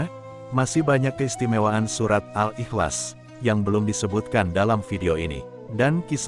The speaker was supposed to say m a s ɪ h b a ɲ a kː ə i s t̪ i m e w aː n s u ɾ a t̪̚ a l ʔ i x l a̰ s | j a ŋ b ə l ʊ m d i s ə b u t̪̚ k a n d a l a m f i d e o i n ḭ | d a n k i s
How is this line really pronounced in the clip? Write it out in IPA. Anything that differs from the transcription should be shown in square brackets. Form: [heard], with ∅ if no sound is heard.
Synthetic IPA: m a s ɪ h b a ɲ a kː ə i s t̪ i m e w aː n s u ɾ a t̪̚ a l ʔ i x l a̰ s | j a ŋ b ə l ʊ m d i s ə b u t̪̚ k a n d a l a m f i d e o i n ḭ | d a n k i s